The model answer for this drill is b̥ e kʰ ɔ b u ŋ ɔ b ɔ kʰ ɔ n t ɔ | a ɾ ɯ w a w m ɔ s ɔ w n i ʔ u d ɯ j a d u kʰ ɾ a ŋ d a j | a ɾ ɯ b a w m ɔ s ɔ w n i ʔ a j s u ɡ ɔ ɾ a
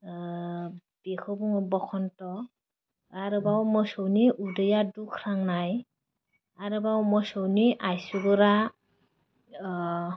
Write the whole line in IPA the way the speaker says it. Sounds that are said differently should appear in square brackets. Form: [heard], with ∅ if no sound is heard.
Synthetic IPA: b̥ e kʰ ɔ b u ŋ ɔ b ɔ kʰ ɔ n t ɔ | a ɾ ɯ [b] a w m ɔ s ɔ w n i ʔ u d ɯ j a d u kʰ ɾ a ŋ [n] a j | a ɾ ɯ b a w m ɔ s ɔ w n i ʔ a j s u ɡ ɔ ɾ a